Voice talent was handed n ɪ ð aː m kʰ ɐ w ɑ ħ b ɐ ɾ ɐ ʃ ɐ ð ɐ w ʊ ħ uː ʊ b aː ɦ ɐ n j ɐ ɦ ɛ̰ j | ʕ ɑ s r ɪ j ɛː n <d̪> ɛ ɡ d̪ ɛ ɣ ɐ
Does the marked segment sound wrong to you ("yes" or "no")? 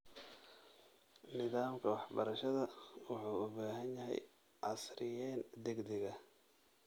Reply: no